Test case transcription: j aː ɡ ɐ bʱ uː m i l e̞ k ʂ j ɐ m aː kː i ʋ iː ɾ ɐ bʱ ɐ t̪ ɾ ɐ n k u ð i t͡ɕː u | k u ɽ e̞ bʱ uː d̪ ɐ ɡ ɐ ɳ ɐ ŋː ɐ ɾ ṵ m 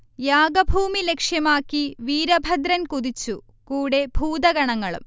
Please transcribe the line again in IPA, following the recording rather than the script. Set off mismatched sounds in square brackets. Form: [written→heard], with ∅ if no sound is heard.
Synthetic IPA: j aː ɡ ɐ bʱ uː m i l e̞ k ʂ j ɐ m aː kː i ʋ iː ɾ ɐ bʱ ɐ [t̪→d̪] ɾ ɐ n k u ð i t͡ɕː u | k [u→uː] ɽ e̞ bʱ uː d̪ ɐ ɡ ɐ ɳ ɐ ŋː ɐ [ɾ→ɭ] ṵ m

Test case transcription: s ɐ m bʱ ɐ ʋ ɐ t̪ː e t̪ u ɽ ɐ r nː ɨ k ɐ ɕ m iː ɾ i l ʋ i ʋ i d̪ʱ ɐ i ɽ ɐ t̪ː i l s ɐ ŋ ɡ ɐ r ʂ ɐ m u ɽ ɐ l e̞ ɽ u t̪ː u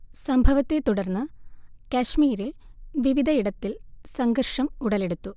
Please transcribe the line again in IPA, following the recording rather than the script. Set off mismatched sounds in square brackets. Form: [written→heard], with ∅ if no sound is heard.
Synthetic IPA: s ɐ m bʱ ɐ ʋ ɐ t̪ː e t̪ u ɽ ɐ r nː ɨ k ɐ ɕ m iː ɾ i l ʋ i ʋ i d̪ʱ ɐ i ɽ ɐ t̪ː i l s ɐ ŋ ɡ ɐ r ʂ ɐ m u ɽ ɐ l e̞ ɽ u t̪ː u

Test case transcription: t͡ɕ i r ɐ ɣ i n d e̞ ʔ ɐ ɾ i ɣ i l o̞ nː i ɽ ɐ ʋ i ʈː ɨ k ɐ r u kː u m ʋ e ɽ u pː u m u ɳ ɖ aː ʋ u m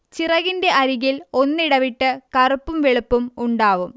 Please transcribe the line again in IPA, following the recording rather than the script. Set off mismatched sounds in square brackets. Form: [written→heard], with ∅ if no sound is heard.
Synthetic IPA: t͡ɕ i r ɐ ɣ i n d e̞ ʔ ɐ ɾ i ɣ i l o̞ nː i ɽ ɐ ʋ i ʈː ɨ k ɐ r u [kː→pː] u m ʋ e [ɽ→ɭ] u pː u m u ɳ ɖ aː ʋ u m

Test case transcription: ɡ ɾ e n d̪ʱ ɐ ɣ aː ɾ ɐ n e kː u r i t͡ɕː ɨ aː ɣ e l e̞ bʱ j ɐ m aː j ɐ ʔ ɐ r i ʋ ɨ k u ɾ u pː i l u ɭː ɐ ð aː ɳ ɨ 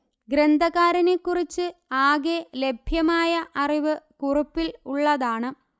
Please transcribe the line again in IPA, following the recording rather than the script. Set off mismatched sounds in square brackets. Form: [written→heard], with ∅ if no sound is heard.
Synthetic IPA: ɡ ɾ e n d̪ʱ ɐ ɣ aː ɾ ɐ n e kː u r i t͡ɕː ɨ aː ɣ e l e̞ bʱ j ɐ m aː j ɐ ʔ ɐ r i ʋ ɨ k u [ɾ→r] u pː i l u ɭː ɐ ð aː ɳ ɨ

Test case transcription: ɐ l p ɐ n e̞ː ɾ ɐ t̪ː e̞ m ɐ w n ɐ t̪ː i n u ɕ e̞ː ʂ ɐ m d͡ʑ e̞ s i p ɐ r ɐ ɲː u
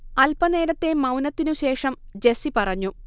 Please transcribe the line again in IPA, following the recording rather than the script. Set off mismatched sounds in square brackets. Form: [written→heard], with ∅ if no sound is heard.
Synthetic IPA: ɐ l p ɐ n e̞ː ɾ ɐ t̪ː e̞ m ɐ w n ɐ t̪ː i n u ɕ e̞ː ʂ ɐ m d͡ʑ e̞ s i p ɐ r ɐ ɲː u

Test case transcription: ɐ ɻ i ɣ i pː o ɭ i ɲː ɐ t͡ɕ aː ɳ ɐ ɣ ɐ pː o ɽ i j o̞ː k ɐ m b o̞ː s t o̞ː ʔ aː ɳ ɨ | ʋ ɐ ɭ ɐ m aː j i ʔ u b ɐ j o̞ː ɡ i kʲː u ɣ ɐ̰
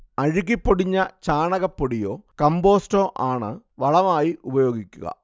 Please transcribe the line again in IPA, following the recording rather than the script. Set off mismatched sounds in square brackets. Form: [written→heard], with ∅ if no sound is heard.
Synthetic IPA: ɐ ɻ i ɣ i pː o [ɭ→ɽ] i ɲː ɐ t͡ɕ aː ɳ ɐ ɣ ɐ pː o ɽ i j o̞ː k ɐ m b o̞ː s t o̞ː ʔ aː ɳ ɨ | ʋ ɐ ɭ ɐ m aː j i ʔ u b ɐ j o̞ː ɡ i kʲː u ɣ ɐ̰

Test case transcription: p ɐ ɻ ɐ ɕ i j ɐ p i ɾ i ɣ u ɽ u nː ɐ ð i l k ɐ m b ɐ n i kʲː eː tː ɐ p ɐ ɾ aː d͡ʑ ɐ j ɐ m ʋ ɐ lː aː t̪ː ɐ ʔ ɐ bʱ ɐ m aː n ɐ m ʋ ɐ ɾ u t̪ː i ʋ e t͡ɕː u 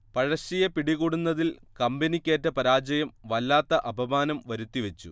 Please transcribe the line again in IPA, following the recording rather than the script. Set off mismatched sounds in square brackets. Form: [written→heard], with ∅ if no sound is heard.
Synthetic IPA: p ɐ ɻ ɐ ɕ i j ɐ p i [ɾ→ɽ] i ɣ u ɽ u nː ɐ ð i l k ɐ m b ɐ n i kʲː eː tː ɐ p ɐ ɾ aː d͡ʑ ɐ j ɐ m ʋ ɐ lː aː t̪ː ɐ ʔ ɐ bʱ ɐ m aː n ɐ m ʋ ɐ ɾ u t̪ː i ʋ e t͡ɕː u

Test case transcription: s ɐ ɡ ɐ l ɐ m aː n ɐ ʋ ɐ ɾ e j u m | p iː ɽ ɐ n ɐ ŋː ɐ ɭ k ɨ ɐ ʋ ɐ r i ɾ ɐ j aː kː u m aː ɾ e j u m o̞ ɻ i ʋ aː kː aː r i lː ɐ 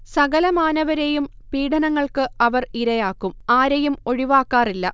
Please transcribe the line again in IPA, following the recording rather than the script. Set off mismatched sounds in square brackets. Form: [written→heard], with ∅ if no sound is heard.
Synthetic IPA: s ɐ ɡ ɐ l ɐ m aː n ɐ ʋ ɐ ɾ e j u m | p iː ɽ ɐ n ɐ ŋː ɐ ɭ k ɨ ɐ ʋ ɐ r i ɾ ɐ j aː kː u m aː ɾ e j u m o̞ ɻ i ʋ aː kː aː r i lː ɐ

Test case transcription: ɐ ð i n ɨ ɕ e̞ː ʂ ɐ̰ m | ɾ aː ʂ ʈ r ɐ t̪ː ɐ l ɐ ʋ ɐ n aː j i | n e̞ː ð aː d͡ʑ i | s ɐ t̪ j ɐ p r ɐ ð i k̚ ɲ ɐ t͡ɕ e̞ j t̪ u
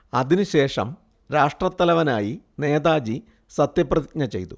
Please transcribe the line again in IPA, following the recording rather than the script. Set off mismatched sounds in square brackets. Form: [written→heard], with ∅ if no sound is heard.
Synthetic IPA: ɐ ð i n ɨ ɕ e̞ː ʂ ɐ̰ m | ɾ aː ʂ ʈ r ɐ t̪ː ɐ l ɐ ʋ ɐ n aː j i | n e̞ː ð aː d͡ʑ i | s ɐ t̪ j ɐ p r ɐ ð i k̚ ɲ ɐ t͡ɕ e̞ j t̪ u

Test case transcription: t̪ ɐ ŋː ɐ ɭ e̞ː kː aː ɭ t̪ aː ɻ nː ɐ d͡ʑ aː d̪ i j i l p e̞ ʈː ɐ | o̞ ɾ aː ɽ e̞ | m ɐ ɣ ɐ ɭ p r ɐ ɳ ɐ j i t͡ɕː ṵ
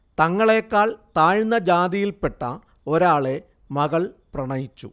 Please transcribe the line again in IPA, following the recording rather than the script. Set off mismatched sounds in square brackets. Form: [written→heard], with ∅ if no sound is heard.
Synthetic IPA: t̪ ɐ ŋː ɐ ɭ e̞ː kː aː ɭ t̪ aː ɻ nː ɐ d͡ʑ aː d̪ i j i l p e̞ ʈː ɐ | o̞ ɾ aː [ɽ→ɭ] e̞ | m ɐ ɣ ɐ ɭ p r ɐ ɳ ɐ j i t͡ɕː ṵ

